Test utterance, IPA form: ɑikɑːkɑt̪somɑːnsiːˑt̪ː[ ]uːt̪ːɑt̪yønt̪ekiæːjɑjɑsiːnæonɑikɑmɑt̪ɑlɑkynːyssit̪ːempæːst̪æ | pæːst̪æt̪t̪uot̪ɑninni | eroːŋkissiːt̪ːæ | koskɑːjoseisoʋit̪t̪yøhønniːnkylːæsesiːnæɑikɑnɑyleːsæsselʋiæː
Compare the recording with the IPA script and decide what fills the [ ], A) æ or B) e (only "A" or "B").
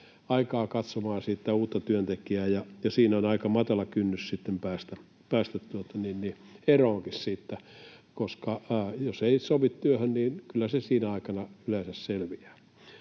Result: A